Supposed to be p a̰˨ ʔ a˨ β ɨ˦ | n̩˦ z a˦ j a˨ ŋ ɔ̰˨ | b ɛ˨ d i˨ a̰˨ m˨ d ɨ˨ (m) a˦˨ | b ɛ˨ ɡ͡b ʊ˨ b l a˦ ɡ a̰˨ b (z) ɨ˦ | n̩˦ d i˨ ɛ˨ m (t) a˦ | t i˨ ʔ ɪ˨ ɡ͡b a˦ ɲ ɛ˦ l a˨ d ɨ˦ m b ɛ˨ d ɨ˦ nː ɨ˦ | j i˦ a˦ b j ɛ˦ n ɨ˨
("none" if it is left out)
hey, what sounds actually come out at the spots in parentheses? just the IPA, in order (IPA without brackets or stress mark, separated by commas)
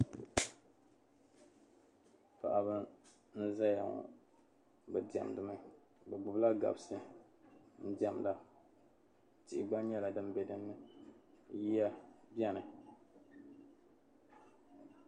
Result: m, s, d